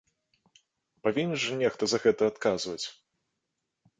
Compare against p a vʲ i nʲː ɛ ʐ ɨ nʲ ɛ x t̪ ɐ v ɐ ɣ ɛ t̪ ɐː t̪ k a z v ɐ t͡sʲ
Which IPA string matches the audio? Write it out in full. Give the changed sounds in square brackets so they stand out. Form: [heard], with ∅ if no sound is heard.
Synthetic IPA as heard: p a vʲ i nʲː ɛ ʐ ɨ nʲ ɛ x t̪ ɐ [z] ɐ ɣ ɛ t̪ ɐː t̪ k a z v ɐ t͡sʲ